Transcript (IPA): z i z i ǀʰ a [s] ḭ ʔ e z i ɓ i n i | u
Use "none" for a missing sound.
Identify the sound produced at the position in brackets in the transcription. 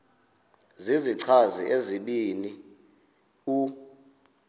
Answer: z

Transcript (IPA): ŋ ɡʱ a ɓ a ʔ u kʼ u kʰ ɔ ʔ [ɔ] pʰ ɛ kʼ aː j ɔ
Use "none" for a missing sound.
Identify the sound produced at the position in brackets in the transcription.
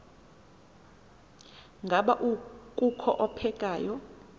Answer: ɔ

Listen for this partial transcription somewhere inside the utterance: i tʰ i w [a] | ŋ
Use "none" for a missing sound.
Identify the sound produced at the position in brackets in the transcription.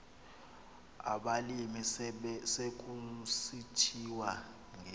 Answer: a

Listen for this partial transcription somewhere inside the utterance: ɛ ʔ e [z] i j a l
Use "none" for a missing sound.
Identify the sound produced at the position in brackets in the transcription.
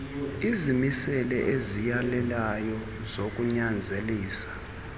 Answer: z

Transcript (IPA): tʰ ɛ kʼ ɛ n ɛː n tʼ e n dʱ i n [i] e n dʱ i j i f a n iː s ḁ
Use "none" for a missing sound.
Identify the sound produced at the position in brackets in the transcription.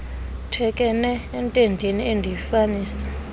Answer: i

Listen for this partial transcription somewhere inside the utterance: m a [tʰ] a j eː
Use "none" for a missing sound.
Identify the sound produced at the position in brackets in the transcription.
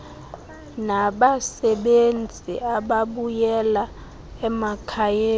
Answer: kʰ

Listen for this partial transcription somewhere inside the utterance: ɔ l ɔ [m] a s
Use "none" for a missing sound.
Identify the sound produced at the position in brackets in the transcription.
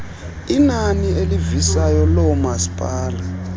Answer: m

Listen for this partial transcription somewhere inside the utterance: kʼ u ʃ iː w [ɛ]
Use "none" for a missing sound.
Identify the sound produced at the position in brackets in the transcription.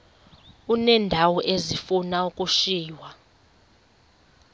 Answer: a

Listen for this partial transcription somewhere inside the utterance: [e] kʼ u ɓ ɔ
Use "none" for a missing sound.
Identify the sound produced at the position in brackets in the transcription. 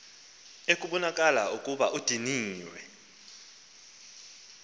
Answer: e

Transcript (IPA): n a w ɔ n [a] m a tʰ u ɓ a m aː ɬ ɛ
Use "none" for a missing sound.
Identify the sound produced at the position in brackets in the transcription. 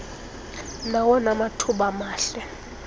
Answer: a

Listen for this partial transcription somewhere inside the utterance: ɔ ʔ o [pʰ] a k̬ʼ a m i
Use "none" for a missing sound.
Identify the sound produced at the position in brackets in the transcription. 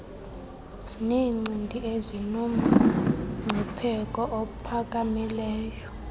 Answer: pʰ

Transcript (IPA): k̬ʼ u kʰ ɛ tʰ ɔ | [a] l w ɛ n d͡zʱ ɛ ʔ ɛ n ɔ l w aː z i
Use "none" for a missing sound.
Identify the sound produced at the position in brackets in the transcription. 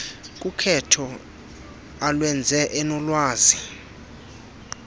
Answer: a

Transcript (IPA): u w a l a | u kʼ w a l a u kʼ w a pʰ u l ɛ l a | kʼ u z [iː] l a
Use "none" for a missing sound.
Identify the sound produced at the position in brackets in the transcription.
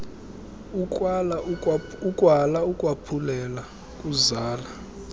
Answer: aː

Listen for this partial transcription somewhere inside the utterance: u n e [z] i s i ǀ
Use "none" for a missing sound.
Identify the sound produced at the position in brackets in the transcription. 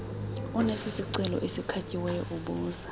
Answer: s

